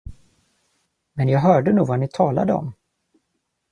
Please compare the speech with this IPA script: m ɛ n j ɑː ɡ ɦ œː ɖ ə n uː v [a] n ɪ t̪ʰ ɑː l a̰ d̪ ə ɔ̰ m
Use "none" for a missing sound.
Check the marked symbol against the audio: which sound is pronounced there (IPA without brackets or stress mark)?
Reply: a